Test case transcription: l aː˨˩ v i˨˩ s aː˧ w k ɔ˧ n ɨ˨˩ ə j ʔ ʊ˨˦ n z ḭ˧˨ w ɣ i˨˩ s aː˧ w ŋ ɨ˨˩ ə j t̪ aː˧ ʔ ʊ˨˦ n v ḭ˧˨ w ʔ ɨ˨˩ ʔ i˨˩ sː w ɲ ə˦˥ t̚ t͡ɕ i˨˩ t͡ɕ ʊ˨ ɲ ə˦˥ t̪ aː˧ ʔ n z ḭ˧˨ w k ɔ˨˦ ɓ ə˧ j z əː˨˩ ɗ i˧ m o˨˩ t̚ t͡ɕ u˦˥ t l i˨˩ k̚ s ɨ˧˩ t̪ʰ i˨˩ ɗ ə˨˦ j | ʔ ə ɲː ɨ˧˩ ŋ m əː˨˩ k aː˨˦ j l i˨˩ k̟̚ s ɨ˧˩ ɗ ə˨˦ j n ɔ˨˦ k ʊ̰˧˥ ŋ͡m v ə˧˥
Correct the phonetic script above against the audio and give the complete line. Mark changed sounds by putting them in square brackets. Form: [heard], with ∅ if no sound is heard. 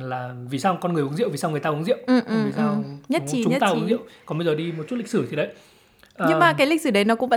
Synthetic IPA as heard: l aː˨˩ v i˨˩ s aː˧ w k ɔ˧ n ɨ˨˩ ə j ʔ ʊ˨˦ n z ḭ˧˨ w [v] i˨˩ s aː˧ w ŋ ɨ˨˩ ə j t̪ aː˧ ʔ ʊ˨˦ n [z] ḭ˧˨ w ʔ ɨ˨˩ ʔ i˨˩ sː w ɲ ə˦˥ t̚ t͡ɕ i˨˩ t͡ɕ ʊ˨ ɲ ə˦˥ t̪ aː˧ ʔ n z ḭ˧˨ w k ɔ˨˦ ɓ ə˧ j z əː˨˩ ɗ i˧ m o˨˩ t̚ t͡ɕ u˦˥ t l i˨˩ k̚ s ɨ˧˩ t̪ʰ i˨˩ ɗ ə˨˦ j | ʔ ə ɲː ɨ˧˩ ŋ m [aː˨˩] k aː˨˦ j l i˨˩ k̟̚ s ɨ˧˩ ɗ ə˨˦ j n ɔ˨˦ k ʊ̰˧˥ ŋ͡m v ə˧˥